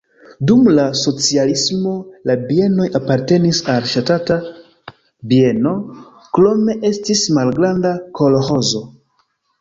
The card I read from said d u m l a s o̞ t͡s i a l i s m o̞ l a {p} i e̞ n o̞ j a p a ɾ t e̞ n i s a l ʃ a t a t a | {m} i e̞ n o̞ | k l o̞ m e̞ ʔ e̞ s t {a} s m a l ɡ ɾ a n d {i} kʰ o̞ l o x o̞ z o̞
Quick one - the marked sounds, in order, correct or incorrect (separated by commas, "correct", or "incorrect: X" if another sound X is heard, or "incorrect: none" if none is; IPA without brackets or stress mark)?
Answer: incorrect: b, incorrect: b, incorrect: i, incorrect: a